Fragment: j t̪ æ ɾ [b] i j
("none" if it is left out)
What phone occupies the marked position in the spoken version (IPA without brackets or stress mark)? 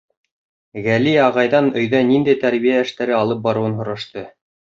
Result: β